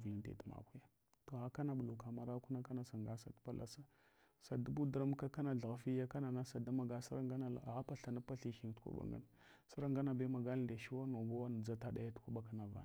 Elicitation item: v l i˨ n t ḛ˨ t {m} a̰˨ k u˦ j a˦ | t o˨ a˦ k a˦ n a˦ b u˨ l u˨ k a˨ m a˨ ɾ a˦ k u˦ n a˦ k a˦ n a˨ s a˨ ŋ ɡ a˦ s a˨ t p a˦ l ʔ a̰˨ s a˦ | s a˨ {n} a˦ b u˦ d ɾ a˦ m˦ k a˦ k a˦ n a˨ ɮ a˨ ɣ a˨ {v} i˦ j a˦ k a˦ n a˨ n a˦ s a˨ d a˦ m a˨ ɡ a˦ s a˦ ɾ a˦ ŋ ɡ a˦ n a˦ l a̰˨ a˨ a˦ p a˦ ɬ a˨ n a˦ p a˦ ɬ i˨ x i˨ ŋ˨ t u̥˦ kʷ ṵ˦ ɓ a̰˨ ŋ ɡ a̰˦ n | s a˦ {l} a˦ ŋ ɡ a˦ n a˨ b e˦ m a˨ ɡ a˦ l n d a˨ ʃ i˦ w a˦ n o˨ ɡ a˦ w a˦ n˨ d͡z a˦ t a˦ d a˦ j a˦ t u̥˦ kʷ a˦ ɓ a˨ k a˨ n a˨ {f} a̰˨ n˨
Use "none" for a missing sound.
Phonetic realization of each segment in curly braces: m, d, f, ɾ, v

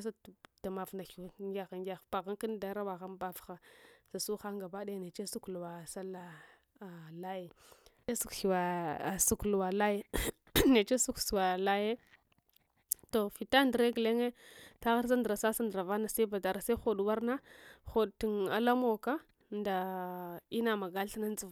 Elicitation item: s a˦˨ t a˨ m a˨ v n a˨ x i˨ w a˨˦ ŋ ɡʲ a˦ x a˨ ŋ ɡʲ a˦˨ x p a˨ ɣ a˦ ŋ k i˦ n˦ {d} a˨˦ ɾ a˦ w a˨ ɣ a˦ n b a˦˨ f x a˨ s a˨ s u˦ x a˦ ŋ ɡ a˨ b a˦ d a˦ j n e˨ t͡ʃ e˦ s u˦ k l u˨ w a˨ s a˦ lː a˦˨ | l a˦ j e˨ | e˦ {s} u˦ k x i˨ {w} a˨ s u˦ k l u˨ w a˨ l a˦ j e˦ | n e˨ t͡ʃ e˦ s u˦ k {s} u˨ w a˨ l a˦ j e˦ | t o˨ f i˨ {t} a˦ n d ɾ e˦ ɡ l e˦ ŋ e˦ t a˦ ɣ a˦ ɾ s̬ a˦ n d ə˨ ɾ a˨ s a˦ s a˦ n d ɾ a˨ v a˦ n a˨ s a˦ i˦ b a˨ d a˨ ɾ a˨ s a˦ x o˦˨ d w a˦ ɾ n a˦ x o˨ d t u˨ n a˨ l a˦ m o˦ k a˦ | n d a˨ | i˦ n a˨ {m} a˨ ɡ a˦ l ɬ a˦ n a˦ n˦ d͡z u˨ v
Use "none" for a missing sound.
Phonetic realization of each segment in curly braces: d, s, w, s, t, m

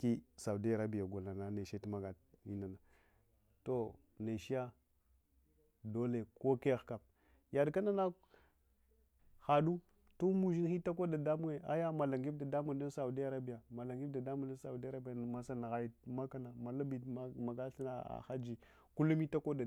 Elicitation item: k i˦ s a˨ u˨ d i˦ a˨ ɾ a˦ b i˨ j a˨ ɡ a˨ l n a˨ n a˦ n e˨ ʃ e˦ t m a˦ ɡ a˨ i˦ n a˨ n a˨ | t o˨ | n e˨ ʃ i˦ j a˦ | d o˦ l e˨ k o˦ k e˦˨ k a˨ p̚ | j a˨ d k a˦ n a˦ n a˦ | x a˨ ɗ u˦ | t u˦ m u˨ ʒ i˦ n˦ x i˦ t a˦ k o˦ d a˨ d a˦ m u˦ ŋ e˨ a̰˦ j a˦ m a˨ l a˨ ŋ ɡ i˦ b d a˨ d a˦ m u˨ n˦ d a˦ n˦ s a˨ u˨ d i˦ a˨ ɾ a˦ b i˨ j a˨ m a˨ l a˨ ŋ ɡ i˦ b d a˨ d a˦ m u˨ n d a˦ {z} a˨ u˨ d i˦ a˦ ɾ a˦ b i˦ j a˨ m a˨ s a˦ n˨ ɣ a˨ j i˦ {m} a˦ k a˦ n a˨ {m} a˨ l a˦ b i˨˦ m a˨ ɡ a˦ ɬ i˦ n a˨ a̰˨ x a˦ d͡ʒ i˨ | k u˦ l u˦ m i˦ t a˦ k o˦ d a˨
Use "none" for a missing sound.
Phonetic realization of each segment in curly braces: s, m, m

